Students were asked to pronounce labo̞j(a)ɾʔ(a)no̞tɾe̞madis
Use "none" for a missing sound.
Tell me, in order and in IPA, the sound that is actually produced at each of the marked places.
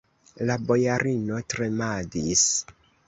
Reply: a, i

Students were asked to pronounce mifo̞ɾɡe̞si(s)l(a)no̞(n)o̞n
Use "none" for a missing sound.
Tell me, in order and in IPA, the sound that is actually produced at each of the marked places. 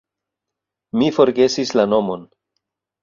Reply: s, a, m

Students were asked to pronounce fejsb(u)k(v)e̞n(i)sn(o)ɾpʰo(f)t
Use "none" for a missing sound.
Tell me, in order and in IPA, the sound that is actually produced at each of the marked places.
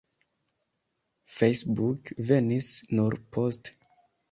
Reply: u, v, i, u, s

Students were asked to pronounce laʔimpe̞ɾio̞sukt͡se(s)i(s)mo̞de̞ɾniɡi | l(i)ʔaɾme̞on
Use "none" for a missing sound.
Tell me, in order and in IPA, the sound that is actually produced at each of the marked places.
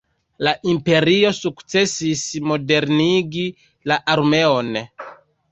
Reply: s, s, a

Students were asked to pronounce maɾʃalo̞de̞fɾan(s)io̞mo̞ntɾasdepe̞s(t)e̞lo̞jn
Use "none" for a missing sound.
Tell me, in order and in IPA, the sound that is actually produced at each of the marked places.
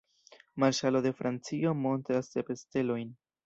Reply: t͡s, t

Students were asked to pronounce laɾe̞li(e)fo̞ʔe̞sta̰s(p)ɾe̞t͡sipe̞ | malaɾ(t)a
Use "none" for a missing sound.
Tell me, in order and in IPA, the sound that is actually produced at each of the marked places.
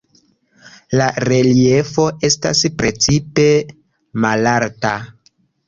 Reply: e, p, t

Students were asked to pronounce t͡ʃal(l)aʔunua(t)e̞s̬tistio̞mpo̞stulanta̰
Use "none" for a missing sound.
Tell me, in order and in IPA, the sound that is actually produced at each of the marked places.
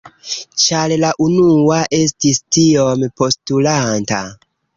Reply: l, ʔ

